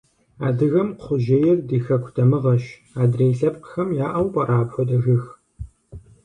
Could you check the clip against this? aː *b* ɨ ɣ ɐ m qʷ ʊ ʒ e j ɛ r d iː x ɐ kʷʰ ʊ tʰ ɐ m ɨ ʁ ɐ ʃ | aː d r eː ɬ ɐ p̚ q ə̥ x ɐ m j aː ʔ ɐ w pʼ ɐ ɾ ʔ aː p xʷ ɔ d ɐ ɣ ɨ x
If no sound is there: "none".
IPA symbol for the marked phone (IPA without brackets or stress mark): d